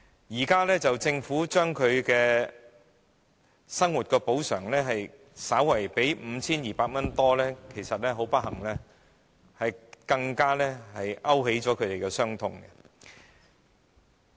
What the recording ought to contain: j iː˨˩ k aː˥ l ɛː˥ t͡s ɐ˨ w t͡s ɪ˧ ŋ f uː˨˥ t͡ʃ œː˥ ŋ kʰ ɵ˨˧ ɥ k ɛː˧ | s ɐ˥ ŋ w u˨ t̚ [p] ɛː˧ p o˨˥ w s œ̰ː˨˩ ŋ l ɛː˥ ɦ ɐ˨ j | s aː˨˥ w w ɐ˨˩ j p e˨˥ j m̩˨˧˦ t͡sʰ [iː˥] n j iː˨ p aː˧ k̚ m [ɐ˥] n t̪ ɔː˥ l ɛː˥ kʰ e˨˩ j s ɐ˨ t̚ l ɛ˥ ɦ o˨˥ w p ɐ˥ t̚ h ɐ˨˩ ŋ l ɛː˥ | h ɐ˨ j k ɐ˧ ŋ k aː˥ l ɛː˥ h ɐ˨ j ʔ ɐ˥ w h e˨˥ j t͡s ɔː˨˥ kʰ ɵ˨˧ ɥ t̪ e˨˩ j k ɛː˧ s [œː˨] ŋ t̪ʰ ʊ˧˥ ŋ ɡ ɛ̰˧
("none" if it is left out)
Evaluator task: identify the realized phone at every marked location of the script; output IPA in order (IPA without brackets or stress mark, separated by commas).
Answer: k, iː˥, ɐ˥, œː˥